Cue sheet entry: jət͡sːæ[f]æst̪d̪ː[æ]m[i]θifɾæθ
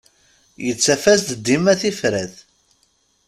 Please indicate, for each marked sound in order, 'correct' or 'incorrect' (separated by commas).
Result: correct, incorrect, incorrect